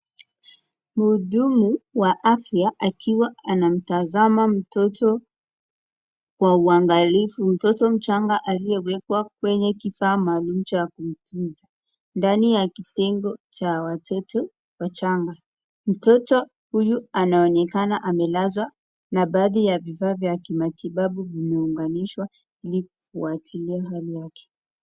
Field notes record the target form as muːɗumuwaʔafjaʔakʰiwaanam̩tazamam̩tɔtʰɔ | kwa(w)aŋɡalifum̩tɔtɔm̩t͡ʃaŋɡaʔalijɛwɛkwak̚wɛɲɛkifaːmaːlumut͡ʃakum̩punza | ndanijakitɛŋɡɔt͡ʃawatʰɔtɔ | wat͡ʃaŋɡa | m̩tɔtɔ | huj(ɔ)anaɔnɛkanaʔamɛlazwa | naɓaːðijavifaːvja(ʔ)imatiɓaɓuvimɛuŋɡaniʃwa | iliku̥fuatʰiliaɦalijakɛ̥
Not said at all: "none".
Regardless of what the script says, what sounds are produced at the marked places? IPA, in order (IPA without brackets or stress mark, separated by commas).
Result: u, u, k